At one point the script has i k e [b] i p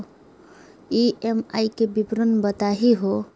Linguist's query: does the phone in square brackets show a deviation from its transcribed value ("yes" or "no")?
no